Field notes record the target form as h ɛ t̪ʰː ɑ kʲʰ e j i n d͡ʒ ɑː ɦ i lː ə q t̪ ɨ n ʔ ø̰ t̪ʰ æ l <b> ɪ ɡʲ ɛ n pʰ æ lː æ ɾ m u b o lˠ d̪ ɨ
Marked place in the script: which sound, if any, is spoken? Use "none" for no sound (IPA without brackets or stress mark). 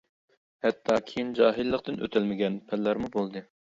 m